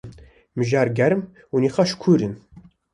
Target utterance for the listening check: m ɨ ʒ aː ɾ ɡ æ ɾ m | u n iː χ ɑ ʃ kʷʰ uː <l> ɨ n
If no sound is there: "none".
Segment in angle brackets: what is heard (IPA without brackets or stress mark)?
ɾ